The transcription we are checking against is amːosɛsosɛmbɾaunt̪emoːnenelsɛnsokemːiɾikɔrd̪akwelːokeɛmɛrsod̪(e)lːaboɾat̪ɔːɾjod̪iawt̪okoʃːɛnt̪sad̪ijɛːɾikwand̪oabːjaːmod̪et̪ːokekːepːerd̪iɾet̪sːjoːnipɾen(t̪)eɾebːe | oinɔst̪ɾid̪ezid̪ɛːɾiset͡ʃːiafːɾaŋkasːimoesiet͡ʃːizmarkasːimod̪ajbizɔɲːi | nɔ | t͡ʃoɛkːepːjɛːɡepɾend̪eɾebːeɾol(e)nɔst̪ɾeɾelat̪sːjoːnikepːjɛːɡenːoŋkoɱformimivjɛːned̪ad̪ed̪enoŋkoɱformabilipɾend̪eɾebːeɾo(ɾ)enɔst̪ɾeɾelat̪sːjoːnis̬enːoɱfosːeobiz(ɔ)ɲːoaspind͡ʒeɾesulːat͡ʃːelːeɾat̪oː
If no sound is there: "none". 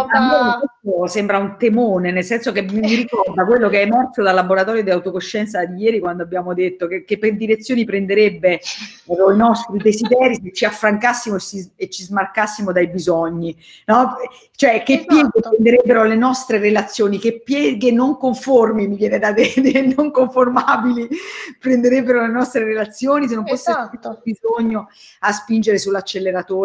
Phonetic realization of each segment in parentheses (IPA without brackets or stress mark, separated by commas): a, d̪, e, l, o